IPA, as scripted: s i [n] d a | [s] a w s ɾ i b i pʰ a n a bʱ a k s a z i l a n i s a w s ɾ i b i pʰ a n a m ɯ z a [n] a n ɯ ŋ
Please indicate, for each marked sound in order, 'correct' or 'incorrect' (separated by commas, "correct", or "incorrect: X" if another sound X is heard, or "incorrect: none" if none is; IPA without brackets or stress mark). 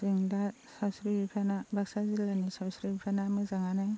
incorrect: ŋ, correct, incorrect: ŋ